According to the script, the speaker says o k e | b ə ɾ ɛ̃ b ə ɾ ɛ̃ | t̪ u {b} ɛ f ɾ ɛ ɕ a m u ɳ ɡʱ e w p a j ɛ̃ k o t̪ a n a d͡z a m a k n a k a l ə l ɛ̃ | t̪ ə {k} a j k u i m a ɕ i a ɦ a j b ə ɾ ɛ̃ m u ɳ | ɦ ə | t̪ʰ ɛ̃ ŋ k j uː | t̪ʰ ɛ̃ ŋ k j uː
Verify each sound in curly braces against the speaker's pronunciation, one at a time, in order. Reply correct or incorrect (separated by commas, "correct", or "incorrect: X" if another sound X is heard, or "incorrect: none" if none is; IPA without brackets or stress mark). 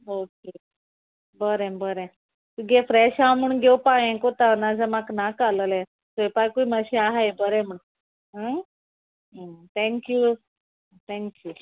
incorrect: ɡ, incorrect: p